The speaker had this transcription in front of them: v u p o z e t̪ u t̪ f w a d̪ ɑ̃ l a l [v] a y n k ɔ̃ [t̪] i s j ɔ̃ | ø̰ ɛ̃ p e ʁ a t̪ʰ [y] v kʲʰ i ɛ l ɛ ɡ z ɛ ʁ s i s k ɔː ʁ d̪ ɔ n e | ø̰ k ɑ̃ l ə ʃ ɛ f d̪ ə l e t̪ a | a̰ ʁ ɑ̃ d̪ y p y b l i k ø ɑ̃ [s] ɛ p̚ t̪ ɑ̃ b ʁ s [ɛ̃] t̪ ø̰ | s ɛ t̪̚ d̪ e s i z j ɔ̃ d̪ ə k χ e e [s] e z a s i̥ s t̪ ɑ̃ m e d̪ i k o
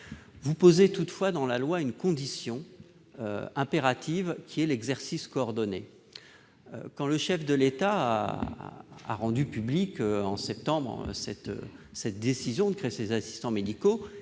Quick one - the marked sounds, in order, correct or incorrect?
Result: incorrect: w, incorrect: d̪, incorrect: i, correct, incorrect: ɛ, correct

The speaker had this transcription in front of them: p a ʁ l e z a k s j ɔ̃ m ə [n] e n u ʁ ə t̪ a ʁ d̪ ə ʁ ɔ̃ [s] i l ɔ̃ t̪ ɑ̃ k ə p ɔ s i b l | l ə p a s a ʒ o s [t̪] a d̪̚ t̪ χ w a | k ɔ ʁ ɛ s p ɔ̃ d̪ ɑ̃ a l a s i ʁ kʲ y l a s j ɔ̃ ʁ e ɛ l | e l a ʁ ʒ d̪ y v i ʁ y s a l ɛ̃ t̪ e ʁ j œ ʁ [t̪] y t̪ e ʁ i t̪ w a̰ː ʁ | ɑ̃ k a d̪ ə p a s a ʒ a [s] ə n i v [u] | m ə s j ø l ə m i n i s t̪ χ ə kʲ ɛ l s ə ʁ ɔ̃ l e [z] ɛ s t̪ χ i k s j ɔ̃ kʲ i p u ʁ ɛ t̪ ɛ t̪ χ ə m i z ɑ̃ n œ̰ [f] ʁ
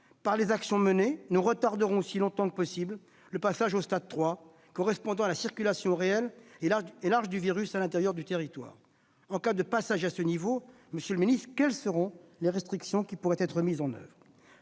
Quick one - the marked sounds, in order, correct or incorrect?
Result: correct, correct, correct, incorrect: d̪, correct, incorrect: o, incorrect: ʁ, incorrect: v

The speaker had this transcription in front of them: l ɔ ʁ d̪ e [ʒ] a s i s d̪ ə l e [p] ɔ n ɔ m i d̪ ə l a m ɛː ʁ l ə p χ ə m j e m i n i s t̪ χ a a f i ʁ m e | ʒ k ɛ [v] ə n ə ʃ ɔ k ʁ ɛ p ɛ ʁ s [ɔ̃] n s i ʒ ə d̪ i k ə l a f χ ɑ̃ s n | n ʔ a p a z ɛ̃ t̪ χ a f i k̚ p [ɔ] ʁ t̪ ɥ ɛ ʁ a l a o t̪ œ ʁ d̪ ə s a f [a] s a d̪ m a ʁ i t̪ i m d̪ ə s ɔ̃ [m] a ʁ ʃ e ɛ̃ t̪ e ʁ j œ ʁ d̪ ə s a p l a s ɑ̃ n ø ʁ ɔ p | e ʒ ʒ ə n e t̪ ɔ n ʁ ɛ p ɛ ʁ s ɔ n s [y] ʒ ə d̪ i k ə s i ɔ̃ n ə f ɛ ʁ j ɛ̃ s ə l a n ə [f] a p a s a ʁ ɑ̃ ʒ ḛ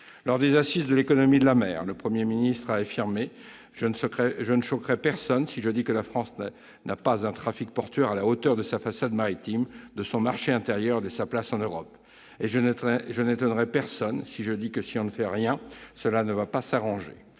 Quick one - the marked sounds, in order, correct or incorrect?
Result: incorrect: z, incorrect: k, incorrect: ʒ, incorrect: ɔ, correct, correct, correct, incorrect: i, incorrect: v

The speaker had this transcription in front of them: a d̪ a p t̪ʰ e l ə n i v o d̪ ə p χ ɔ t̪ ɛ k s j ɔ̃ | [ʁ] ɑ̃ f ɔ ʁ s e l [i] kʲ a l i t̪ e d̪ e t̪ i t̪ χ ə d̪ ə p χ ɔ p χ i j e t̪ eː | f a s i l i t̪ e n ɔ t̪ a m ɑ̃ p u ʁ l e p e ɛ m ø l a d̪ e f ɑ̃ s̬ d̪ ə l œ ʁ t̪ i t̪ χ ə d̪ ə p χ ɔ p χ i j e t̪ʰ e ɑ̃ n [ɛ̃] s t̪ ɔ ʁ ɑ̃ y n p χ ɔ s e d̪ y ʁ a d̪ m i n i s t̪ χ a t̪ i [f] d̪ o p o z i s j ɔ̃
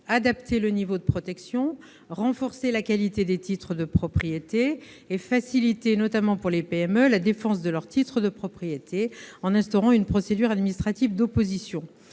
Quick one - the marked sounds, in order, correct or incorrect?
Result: correct, incorrect: a, correct, incorrect: v

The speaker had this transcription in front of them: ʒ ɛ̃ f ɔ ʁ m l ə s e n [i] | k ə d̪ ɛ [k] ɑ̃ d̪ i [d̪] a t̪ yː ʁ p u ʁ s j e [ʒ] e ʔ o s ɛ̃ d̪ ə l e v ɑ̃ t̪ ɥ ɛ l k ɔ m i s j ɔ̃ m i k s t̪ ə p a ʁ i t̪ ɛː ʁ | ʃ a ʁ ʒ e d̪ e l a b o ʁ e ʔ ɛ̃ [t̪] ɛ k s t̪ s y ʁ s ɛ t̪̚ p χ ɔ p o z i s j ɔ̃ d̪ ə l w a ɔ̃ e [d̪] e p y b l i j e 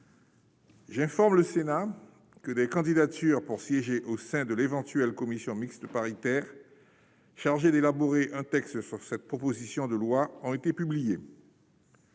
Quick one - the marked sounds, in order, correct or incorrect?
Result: incorrect: a, correct, correct, correct, correct, incorrect: t̪

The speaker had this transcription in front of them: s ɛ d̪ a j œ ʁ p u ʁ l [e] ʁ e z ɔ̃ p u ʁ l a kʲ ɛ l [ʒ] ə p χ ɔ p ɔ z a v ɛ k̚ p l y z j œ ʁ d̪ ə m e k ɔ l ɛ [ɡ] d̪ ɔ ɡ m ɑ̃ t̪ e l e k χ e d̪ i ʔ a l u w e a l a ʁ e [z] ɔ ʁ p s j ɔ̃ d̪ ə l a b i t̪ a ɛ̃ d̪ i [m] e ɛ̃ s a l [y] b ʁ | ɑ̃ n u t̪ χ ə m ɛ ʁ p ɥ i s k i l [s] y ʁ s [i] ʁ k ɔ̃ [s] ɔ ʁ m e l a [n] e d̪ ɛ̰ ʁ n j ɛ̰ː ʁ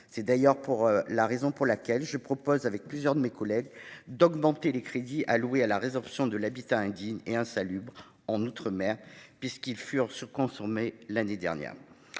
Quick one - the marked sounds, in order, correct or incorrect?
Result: incorrect: a, correct, correct, correct, incorrect: ɲ, correct, incorrect: f, incorrect: y, correct, correct

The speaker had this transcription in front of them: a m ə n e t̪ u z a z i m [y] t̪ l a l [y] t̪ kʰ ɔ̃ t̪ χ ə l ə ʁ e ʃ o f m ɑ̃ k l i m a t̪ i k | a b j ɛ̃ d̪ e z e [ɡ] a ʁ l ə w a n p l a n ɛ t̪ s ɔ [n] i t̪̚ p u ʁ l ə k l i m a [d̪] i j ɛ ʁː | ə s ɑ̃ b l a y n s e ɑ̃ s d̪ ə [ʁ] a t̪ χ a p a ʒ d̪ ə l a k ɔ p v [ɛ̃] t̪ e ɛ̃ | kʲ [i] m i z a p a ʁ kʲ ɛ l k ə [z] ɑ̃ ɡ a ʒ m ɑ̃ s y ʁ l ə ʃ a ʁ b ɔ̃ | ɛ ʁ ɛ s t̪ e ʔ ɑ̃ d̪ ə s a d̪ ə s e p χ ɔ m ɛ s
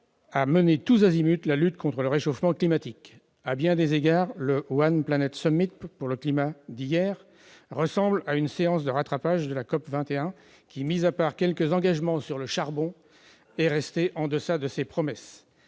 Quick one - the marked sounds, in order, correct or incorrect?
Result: correct, correct, correct, incorrect: m, correct, correct, correct, correct, correct

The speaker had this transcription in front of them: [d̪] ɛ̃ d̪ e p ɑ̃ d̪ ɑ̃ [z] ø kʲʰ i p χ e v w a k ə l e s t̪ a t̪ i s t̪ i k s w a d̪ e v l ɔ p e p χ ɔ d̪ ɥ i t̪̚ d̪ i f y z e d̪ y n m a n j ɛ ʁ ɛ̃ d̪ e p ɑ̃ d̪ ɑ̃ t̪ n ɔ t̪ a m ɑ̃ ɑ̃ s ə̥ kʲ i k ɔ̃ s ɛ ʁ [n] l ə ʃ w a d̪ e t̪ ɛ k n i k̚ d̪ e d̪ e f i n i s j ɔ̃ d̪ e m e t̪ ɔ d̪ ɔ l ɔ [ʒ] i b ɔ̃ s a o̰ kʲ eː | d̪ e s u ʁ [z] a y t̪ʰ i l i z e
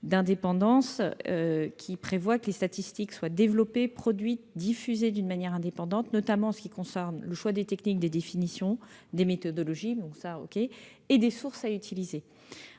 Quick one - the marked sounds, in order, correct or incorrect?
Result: correct, incorrect: s, correct, correct, incorrect: s

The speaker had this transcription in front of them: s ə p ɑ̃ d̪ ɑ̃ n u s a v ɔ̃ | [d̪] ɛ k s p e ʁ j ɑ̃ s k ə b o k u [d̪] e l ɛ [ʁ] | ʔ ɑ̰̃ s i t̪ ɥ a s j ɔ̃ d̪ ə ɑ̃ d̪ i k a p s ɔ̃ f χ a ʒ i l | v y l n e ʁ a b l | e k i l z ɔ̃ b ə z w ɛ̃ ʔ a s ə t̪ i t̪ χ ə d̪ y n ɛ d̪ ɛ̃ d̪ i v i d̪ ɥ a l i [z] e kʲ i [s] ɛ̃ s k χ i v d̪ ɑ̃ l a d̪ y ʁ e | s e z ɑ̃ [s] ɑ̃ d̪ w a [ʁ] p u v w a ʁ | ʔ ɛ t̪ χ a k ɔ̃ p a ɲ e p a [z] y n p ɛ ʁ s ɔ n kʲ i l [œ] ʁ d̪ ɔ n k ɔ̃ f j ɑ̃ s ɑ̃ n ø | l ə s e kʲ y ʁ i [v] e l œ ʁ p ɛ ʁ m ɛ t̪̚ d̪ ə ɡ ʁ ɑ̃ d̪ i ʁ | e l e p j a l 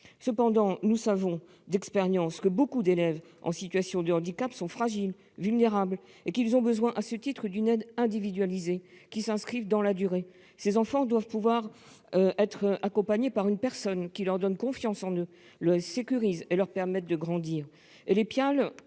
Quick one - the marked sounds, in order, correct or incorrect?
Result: correct, correct, incorrect: v, correct, correct, incorrect: f, incorrect: v, incorrect: ʁ, correct, incorrect: z

